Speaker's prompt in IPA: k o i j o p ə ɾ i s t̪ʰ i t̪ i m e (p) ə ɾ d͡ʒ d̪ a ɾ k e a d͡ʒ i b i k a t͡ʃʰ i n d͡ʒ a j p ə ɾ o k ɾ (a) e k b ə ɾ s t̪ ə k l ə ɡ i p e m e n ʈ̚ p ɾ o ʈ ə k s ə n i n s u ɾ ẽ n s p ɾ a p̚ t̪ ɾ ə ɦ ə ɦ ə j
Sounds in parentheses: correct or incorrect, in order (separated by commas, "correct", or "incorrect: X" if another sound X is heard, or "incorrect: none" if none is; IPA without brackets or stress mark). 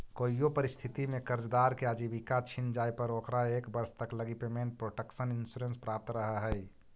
incorrect: k, correct